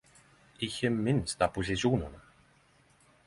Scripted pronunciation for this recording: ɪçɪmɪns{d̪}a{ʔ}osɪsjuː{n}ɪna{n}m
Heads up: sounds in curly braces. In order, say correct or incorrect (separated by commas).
incorrect, incorrect, correct, incorrect